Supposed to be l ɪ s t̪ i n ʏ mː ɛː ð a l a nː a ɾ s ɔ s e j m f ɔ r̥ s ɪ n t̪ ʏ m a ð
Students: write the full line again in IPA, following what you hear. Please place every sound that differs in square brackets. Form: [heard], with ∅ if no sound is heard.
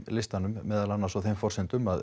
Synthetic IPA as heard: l ɪ s t̪ [a] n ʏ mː ɛː ð a l a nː a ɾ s ɔ [θ] e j m f ɔ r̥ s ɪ n t̪ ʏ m a ð